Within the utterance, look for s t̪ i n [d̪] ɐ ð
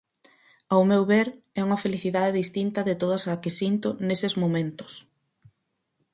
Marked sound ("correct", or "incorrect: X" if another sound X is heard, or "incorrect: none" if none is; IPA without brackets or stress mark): incorrect: t̪